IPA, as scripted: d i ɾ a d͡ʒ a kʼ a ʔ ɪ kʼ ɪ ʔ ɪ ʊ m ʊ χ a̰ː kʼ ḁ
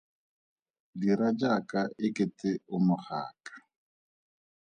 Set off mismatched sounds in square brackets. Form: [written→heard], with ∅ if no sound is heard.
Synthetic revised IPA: d i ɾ a d͡ʒ a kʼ a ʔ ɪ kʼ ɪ [ʔ→t] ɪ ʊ m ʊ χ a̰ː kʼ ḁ